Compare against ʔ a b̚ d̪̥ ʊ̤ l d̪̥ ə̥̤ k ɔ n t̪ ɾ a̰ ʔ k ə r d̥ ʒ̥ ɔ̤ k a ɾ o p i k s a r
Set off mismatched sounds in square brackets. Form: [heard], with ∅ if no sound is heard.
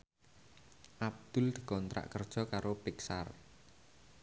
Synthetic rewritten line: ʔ a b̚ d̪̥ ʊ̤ l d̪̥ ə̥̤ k ɔ n t̪ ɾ a̰ ʔ k ə r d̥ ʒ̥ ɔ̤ k a ɾ o p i k s a r